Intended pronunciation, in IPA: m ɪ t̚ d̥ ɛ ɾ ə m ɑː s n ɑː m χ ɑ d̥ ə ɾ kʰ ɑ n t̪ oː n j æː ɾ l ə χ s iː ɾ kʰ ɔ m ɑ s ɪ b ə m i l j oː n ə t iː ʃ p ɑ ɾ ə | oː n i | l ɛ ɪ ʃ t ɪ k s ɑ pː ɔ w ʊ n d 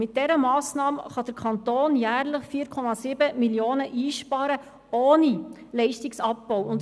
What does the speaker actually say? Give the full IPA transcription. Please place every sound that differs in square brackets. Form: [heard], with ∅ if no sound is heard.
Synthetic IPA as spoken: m ɪ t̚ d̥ ɛ ɾ ə m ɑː s n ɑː m χ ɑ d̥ ə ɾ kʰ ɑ n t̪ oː n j æː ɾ l ə χ [f] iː ɾ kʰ ɔ m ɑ s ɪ b ə m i l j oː n ə [ʔ] iː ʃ p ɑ ɾ ə | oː n i | l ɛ ɪ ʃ t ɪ k s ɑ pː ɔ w ʊ n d